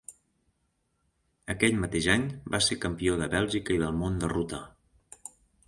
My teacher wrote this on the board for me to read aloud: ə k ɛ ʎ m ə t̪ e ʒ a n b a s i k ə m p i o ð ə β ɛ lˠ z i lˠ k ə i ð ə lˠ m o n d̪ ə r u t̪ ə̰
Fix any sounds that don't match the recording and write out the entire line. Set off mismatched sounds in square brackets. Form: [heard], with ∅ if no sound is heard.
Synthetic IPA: ə k ɛ ʎ m ə t̪ e ʒ a [ɲ] b a s [e] k ə m p i o ð ə β ɛ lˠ [ʒ] i [∅] k ə i ð ə lˠ m o n d̪ ə r u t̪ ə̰